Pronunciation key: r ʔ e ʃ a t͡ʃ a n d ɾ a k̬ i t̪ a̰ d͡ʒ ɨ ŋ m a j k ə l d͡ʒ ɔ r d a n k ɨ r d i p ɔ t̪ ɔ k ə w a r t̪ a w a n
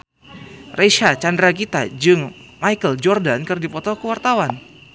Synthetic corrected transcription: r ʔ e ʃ a t͡ʃ a n d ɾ a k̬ i t̪ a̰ d͡ʒ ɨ ŋ m a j k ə l d͡ʒ ɔ r d a n k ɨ r d i p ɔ t̪ ɔ k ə w a r t̪ a w a n